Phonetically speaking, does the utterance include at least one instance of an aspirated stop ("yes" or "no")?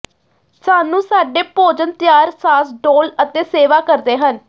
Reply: no